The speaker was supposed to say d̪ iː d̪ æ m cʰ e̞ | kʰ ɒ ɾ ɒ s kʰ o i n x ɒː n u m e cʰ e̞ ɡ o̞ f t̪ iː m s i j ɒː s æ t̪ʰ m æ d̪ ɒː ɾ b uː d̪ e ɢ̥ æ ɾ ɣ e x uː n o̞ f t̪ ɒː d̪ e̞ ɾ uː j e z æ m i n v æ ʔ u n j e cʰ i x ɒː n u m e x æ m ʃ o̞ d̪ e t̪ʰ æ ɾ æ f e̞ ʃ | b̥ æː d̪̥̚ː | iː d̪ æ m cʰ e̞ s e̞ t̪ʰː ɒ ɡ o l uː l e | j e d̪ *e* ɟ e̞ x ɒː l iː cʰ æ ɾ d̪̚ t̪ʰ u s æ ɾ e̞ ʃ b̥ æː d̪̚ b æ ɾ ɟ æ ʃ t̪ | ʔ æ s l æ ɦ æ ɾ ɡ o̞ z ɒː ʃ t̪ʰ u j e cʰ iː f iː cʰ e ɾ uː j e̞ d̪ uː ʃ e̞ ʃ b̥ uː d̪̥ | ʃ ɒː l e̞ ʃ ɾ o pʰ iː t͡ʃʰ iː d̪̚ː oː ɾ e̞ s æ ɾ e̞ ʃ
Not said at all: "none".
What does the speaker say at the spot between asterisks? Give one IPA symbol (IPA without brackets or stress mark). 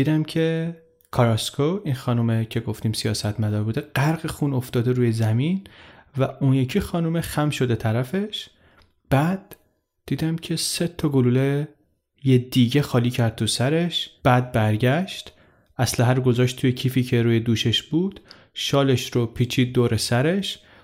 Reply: i